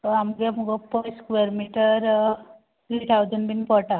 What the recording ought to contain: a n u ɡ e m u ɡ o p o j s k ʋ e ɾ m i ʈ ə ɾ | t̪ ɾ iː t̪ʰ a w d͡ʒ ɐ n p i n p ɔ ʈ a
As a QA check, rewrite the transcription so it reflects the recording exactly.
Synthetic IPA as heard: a m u ɡ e m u ɡ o p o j s k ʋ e ɾ m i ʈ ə ɾ | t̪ ɾ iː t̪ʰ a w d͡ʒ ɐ n b i n p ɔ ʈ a